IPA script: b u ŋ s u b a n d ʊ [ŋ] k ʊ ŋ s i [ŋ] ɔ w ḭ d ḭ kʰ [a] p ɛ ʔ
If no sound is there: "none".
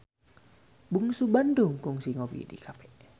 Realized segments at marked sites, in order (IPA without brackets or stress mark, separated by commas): ŋ, ŋ, a